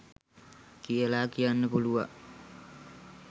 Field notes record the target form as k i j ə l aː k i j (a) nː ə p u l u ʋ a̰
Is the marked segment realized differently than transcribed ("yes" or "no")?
no